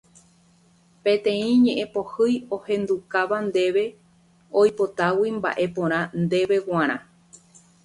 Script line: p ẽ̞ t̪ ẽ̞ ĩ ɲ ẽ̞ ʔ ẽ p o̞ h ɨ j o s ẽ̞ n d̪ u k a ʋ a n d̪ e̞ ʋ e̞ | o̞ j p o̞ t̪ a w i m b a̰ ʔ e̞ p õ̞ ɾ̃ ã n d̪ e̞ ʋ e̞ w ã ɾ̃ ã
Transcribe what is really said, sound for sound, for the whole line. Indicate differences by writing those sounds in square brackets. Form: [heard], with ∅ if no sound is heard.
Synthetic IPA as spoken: p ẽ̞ t̪ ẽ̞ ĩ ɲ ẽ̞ ʔ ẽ p o̞ h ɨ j o [h] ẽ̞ n d̪ u k a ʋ a n d̪ e̞ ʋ e̞ | o̞ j p o̞ t̪ a w i m b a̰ ʔ e̞ p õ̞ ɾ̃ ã n d̪ e̞ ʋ e̞ w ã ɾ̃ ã